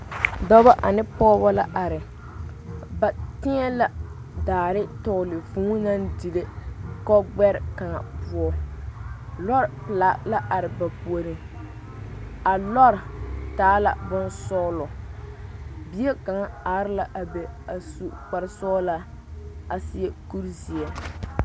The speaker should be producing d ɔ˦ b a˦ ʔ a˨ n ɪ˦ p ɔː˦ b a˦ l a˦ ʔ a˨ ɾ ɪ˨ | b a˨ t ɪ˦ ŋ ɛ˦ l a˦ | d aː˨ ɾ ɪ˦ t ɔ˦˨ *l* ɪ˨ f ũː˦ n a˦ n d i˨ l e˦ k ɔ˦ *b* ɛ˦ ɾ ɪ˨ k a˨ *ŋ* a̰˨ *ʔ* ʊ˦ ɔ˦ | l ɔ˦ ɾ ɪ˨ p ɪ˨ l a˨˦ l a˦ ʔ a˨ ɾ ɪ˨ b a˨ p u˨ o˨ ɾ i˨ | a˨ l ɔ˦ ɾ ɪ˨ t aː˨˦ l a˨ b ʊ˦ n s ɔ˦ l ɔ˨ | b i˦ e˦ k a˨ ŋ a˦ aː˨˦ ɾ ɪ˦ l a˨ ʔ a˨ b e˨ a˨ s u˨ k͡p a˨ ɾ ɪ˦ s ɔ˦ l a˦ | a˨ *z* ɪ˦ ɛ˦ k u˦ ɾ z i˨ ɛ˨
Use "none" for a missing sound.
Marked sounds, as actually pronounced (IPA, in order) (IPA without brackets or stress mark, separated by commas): l, ɡ͡b, ŋ, p, s